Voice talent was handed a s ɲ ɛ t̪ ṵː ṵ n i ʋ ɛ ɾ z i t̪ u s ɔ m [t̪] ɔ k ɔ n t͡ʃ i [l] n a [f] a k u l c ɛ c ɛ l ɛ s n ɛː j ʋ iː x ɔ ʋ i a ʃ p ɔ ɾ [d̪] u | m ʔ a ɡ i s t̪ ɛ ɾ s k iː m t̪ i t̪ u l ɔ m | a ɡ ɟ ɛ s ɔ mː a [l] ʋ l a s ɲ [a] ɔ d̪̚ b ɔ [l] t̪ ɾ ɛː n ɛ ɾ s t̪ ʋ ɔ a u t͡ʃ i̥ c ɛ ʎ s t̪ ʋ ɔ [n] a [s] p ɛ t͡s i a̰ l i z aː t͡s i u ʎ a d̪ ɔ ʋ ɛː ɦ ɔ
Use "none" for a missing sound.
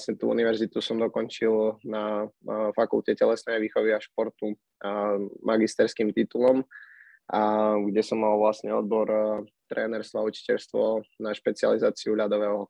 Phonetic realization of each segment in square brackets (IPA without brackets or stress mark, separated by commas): d̪, l, f, t̪, l, ɛ, ɾ, n, ʃ